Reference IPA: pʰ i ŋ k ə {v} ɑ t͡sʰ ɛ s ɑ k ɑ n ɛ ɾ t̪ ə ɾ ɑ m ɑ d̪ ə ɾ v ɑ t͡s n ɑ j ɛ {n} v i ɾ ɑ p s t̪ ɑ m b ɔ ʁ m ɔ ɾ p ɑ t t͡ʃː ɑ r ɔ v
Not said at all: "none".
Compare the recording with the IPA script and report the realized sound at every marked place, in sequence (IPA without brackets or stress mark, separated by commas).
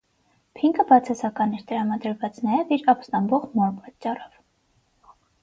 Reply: b, none